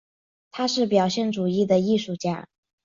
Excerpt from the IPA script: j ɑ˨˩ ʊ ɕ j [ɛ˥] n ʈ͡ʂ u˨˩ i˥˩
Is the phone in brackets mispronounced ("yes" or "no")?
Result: yes